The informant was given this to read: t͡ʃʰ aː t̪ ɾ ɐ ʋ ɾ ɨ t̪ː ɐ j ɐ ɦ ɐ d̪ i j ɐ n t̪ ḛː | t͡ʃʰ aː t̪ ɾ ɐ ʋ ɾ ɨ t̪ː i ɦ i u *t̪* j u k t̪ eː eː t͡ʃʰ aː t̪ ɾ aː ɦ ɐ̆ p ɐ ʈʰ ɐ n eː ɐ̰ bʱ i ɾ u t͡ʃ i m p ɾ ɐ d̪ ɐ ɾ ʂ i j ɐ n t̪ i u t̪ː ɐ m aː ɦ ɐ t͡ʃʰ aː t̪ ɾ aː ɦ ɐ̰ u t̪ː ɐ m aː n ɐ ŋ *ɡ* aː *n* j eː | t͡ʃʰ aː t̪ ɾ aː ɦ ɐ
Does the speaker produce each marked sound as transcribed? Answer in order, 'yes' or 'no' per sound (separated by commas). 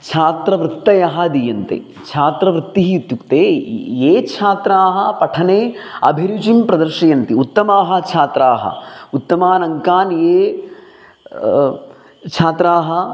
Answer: yes, no, yes